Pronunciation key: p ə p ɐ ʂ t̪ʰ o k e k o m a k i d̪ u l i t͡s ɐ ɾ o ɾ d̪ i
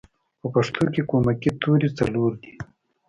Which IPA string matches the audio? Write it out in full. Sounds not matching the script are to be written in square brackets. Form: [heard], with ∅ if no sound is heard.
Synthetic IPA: p ə p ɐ ʂ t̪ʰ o k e k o m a k i [t̪] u [ɾ] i t͡s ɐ [l] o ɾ d̪ i